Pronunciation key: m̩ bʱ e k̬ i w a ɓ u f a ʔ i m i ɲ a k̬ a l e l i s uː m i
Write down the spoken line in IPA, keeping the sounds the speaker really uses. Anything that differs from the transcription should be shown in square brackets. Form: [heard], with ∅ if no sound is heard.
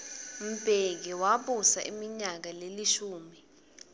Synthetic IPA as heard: m̩ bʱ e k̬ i w a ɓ u [s] a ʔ i m i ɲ a k̬ a l e l i [ʃ] uː m i